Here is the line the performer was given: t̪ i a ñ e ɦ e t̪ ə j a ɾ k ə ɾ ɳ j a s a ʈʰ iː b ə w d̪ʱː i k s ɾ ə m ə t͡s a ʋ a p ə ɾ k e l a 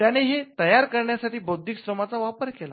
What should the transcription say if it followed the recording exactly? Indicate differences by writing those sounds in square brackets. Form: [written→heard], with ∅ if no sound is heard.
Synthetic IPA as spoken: t̪ [i→j] a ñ e ɦ e t̪ ə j a ɾ k ə ɾ ɳ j a s a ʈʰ iː b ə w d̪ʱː i k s ɾ ə m [ə→a] t͡s a ʋ a p ə ɾ k e l a